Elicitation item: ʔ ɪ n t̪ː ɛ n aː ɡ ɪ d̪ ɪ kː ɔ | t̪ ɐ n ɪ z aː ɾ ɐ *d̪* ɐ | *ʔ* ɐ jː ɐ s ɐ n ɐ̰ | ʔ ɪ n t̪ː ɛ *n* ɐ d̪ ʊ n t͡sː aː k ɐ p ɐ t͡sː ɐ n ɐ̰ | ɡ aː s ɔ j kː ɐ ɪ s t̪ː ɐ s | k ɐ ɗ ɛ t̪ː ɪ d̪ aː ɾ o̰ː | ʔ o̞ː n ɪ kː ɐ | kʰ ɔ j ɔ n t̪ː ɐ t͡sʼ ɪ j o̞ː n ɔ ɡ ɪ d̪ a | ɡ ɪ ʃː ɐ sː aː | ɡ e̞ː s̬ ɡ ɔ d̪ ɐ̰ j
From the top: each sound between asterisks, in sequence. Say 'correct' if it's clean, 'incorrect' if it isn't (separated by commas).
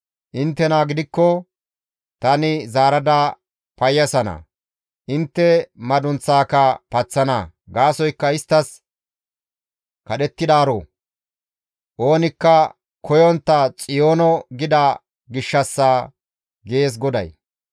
correct, incorrect, incorrect